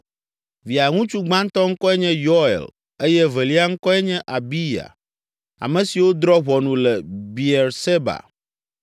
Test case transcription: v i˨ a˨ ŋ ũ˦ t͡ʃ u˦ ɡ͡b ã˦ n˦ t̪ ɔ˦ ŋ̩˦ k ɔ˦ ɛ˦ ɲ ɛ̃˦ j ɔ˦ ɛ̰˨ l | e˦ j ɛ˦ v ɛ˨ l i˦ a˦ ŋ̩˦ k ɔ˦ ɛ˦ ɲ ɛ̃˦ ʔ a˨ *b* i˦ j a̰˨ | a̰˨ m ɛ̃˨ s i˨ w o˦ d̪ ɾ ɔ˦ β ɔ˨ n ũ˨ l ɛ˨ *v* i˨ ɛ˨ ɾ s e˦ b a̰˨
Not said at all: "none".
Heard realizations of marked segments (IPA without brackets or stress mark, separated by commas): b, b